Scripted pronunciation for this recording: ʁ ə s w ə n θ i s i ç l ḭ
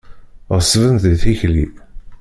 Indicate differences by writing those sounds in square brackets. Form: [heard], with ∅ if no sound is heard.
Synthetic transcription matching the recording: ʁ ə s [v] ə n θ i [θ] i ç l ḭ